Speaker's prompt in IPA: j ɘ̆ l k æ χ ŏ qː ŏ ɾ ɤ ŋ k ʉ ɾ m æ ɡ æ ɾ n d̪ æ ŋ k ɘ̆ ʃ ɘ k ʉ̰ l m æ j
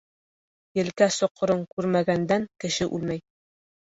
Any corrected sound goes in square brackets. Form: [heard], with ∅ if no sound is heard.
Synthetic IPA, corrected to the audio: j ɘ̆ l k æ [s] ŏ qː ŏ ɾ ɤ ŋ k ʉ ɾ m æ ɡ æ [∅] n d̪ æ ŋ k ɘ̆ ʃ ɘ [ʔ] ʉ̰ l m æ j